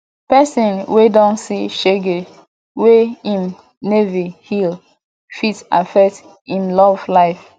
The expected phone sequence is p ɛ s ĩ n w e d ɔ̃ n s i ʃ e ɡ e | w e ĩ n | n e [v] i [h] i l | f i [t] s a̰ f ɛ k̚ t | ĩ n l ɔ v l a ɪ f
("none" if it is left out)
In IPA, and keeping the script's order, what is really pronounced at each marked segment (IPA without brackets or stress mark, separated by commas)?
v, h, t